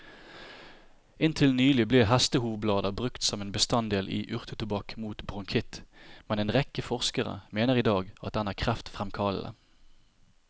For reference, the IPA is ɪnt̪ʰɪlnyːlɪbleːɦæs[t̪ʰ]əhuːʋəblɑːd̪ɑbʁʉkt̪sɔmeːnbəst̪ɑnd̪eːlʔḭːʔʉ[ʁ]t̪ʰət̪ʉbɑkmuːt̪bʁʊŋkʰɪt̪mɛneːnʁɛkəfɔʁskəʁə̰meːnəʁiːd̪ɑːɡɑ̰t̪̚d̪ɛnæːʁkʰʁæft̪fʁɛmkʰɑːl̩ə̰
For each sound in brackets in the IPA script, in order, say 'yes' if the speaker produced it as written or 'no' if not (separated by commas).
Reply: no, yes